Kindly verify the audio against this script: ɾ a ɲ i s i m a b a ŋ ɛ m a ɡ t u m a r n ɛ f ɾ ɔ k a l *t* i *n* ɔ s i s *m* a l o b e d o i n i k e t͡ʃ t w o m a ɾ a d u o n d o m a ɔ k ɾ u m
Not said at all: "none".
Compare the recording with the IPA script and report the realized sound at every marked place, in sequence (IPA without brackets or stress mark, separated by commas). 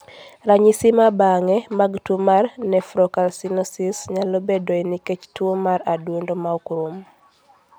s, n, ɲ